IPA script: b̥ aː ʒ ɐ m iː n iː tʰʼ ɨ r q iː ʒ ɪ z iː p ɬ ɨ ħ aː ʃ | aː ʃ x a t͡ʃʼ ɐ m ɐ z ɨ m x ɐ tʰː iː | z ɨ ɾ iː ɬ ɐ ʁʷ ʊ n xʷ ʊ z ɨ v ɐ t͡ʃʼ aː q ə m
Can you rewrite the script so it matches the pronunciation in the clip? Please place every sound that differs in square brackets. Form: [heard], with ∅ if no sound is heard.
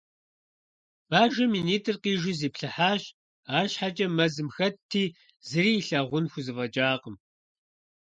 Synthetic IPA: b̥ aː ʒ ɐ m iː n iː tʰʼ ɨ r q iː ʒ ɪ z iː p ɬ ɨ ħ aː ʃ | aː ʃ [ħ] a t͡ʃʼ ɐ m ɐ z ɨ m x ɐ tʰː iː | z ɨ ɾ iː ɬ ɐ ʁʷ ʊ n xʷ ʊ z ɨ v ɐ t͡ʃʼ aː q ə m